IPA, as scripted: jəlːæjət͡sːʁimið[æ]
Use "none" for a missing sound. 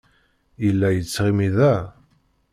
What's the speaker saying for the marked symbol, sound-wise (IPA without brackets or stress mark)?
æ